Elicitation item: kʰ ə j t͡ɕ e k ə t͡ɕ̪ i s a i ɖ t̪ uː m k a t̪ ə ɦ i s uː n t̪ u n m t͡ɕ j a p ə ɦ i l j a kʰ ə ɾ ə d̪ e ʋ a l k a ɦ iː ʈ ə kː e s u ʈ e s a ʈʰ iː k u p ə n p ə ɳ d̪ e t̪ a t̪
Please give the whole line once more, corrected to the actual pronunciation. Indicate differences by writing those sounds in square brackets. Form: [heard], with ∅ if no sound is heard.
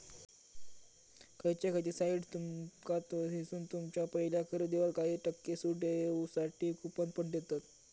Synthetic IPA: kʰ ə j t͡ɕ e k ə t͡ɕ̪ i s a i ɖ t̪ [u] m k a t̪ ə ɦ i s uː n t̪ u [∅] m t͡ɕ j a p ə ɦ i l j a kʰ ə ɾ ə d̪ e ʋ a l k a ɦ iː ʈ ə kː e s u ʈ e s a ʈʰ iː k u p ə n p ə ɳ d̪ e t̪ a t̪